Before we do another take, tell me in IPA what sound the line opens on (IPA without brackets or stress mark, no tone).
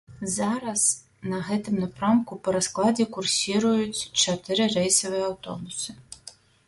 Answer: z